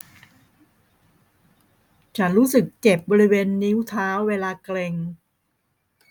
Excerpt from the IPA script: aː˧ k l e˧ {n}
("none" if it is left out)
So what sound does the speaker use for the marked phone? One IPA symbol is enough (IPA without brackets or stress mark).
ŋ